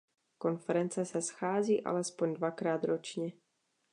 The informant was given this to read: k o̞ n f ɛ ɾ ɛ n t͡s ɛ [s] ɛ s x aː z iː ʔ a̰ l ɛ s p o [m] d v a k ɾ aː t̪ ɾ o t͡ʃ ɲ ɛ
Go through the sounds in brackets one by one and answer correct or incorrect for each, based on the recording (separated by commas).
correct, incorrect